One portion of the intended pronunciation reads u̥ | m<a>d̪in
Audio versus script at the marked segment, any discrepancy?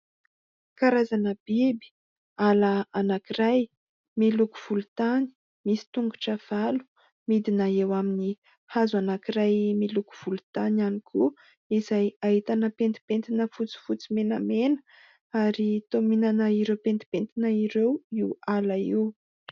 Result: yes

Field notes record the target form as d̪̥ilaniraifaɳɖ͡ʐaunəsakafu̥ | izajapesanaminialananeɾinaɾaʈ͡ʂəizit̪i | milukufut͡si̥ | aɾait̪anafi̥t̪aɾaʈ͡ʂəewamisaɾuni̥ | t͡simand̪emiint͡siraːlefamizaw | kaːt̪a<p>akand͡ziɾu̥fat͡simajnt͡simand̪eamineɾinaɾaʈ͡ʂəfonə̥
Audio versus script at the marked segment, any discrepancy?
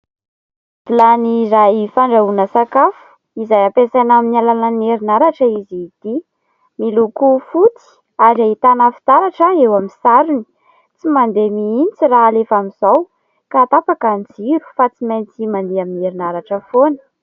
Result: no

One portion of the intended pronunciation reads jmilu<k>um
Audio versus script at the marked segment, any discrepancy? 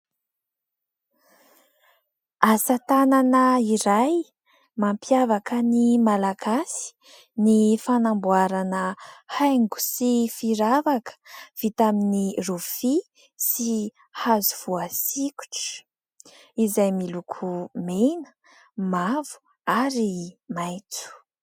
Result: yes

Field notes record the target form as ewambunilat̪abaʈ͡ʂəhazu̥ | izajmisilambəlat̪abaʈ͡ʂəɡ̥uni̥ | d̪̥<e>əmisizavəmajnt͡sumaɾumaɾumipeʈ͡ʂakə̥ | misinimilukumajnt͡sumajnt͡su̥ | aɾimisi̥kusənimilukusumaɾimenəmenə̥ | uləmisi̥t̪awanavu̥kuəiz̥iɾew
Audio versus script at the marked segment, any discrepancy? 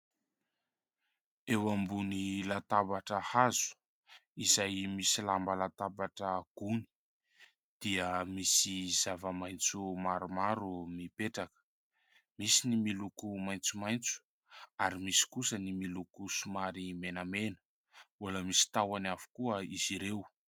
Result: yes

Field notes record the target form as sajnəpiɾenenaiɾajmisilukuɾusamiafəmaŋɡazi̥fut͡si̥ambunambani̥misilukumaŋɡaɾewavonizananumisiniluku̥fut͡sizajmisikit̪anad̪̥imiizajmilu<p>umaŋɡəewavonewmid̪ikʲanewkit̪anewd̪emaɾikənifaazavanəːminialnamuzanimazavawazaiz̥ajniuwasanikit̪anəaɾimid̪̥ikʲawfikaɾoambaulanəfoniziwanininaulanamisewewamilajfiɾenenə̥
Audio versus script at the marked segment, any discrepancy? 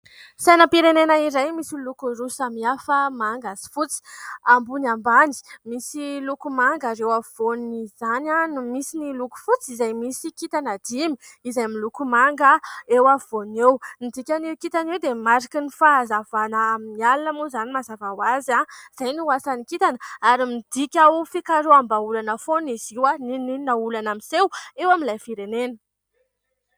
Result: yes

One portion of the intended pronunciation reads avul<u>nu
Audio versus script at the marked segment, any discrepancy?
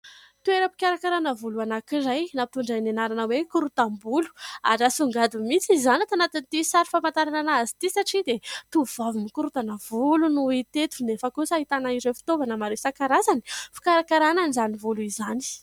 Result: no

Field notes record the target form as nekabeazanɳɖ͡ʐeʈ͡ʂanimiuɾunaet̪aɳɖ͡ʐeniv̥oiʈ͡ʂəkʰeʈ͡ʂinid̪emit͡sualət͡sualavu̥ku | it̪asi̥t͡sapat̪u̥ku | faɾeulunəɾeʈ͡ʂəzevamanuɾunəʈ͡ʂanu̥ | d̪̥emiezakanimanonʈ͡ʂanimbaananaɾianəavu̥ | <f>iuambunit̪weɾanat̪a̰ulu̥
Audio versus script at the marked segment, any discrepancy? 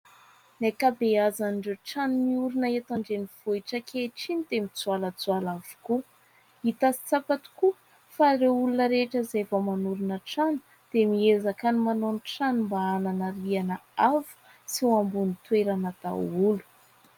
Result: yes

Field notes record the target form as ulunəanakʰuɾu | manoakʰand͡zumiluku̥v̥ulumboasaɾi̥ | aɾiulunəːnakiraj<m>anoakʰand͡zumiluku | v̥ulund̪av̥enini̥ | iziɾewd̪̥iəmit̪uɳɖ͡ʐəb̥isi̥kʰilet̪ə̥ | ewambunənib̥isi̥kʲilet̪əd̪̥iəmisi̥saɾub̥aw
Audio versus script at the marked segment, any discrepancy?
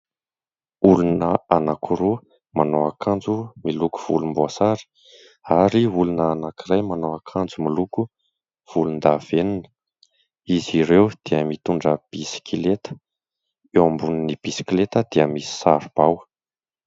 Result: no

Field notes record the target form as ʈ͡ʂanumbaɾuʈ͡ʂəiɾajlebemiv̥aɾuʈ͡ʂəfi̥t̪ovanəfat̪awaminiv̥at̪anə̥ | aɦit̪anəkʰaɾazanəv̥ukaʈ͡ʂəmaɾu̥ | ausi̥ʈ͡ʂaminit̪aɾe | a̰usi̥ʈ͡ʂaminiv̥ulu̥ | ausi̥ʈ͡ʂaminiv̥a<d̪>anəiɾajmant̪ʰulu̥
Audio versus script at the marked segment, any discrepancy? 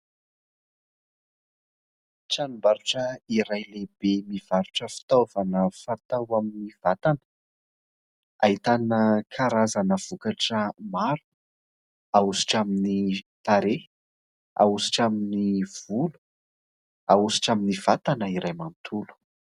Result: yes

